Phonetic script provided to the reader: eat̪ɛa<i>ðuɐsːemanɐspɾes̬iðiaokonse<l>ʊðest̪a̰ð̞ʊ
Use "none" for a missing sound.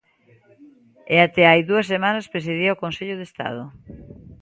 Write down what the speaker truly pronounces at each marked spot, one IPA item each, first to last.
j, ʎ

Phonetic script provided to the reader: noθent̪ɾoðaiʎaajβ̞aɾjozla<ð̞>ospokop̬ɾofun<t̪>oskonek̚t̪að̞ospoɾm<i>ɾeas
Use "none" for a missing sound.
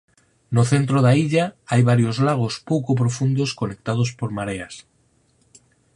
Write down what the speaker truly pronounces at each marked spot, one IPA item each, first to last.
ɣ̞, d̪, a

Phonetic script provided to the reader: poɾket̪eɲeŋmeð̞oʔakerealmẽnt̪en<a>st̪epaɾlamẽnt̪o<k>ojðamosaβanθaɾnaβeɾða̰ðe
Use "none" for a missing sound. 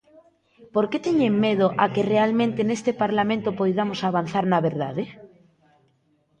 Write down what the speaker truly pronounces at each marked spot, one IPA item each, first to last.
e, p

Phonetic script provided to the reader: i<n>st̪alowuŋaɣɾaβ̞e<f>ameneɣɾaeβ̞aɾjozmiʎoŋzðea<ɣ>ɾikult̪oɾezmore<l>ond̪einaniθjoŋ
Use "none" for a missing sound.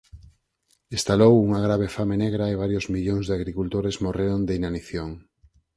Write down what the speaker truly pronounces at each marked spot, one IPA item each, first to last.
none, f, ɣ, ɾ

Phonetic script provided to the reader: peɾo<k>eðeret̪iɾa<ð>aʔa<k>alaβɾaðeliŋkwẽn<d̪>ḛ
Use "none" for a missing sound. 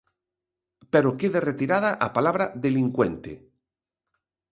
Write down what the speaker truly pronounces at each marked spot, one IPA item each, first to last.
k, ð, p, t̪

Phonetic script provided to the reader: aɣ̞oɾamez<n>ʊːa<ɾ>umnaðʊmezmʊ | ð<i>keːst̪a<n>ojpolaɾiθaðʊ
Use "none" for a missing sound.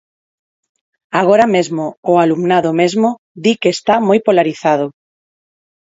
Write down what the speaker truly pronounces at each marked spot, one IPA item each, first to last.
m, l, i, m

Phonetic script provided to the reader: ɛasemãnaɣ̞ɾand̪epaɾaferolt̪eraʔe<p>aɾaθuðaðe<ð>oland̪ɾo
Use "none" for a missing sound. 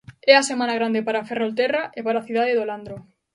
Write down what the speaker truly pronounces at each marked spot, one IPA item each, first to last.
p, ð

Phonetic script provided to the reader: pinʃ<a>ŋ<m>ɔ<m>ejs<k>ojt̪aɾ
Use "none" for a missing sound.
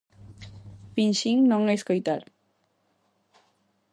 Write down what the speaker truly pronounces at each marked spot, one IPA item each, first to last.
i, n, ŋ, k

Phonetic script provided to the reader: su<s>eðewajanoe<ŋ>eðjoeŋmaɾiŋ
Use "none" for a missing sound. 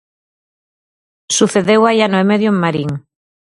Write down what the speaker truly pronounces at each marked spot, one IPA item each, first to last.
θ, m

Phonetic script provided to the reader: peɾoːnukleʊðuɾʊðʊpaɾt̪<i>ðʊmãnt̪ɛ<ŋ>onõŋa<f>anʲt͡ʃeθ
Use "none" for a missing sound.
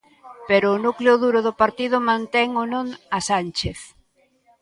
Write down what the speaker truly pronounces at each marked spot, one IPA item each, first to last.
i, ŋ, s

